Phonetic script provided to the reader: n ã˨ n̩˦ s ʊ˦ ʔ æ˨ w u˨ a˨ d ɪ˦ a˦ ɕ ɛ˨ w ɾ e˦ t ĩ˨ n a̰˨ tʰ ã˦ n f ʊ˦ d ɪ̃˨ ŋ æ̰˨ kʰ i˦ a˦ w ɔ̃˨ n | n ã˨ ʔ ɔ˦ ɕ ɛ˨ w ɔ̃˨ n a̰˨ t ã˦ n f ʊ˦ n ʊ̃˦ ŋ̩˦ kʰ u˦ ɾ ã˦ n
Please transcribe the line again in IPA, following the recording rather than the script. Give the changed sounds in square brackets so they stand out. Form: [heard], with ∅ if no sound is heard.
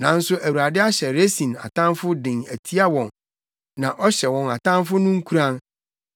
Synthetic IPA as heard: n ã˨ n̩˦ s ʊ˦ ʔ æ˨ w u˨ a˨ d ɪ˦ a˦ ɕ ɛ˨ [∅] ɾ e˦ [s] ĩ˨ n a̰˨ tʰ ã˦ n f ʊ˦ d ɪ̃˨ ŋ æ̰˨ [tʰ] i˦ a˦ w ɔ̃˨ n | n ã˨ ʔ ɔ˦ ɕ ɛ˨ w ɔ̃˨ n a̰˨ t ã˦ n f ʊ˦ n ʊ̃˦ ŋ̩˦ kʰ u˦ ɾ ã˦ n

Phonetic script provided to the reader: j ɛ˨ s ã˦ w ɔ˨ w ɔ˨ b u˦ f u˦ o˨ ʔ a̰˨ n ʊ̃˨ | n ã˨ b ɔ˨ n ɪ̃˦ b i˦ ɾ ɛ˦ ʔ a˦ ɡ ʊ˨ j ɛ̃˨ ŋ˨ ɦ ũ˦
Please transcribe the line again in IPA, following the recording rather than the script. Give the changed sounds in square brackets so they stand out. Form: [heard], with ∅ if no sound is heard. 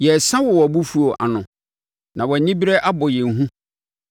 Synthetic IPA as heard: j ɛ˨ s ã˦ w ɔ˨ w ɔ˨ b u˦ f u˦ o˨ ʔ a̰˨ n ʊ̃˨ | n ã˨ [w] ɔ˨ n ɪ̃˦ b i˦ ɾ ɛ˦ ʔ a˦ [b] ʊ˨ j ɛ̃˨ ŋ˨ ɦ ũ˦

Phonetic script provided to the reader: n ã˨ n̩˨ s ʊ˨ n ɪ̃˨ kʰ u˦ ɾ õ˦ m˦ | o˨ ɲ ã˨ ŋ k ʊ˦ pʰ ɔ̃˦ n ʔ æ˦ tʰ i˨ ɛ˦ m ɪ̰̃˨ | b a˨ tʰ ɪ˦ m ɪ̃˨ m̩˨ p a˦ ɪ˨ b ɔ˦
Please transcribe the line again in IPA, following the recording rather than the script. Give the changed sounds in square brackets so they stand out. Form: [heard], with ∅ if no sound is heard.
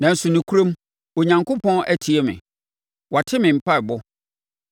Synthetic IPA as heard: n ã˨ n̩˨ s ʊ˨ n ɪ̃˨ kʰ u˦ ɾ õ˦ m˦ | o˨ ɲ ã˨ ŋ k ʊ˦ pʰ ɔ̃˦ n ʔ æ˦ tʰ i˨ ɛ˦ m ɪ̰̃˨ | [w] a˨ tʰ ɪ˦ m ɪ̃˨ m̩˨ p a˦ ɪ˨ b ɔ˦

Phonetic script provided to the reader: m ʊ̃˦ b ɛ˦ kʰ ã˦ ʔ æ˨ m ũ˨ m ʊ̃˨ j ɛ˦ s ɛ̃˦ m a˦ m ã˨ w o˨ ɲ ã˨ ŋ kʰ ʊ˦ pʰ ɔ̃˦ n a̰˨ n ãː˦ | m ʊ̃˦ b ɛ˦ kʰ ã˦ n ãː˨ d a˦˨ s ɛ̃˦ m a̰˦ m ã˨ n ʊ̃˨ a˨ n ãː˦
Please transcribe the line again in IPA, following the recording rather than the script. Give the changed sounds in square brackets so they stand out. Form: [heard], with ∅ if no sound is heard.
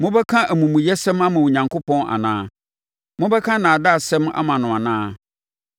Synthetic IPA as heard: m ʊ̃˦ b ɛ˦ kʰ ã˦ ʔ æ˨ m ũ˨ m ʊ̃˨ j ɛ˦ s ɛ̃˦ m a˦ m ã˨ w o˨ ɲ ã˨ ŋ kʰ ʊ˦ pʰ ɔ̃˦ n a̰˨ n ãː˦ | m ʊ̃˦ b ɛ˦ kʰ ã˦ n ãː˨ d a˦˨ s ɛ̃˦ m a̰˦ m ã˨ n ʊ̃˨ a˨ n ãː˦

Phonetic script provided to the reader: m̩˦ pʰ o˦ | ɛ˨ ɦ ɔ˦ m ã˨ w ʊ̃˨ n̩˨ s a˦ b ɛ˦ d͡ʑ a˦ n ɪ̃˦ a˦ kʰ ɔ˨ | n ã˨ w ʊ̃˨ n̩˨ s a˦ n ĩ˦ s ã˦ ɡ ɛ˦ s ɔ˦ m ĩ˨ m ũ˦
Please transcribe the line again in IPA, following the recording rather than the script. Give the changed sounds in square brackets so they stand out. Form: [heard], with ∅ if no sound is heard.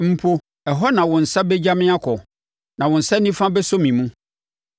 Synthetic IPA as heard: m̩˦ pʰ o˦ | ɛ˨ ɦ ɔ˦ [n] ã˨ w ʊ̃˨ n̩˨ s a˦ b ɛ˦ d͡ʑ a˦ [m] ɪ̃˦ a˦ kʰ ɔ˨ | n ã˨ w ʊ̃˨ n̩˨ s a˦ n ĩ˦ [f] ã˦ [b] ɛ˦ s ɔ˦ m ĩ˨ m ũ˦

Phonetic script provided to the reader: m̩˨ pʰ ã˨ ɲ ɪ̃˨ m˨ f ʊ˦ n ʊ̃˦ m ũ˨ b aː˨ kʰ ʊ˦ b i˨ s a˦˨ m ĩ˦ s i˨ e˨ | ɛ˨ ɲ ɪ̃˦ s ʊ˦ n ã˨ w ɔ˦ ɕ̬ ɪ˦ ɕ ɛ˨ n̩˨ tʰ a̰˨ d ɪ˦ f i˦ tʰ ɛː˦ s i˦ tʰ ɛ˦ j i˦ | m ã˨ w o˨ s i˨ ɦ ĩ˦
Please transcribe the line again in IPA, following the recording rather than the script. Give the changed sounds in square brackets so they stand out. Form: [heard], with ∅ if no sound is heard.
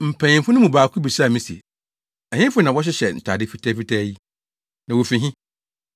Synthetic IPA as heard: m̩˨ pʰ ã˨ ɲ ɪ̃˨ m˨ f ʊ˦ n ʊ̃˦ m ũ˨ b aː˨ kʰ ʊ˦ b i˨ s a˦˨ m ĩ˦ s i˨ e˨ | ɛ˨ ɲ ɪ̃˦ [f] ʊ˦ n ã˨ w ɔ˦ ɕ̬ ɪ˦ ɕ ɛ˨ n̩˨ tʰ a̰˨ d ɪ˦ f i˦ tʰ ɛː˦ [f] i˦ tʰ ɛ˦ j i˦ | [n] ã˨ w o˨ [f] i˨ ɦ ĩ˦

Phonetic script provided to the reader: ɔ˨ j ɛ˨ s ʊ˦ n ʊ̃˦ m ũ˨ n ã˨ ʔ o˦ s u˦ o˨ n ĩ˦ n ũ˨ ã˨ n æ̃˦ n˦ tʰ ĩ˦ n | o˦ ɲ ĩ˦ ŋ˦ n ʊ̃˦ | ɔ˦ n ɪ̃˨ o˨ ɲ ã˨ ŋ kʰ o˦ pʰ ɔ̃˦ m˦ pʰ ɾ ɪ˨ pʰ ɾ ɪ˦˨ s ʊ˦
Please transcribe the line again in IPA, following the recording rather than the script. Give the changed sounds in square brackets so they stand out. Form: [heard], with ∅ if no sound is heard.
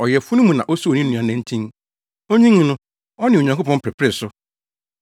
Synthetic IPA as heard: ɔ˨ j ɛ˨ [f] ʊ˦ n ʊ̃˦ m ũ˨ n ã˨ ʔ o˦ s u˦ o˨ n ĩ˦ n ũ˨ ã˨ n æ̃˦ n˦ tʰ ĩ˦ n | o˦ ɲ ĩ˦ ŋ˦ n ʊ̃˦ | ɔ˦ n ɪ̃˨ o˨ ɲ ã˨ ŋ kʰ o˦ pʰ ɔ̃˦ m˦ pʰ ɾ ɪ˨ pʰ ɾ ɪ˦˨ s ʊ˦

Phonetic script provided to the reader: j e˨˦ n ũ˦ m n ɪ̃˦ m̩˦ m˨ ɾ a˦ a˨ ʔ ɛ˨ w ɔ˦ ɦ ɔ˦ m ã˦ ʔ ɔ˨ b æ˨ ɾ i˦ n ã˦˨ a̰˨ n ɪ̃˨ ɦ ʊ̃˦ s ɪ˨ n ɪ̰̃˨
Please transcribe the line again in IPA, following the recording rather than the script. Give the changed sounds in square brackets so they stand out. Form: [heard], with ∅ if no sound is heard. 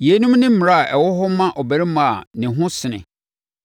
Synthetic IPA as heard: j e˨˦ n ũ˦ m n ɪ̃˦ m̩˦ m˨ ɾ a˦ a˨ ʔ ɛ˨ w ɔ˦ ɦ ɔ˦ m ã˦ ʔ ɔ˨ b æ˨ ɾ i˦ [m] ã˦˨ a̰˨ n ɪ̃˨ ɦ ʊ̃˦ s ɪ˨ n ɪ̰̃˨

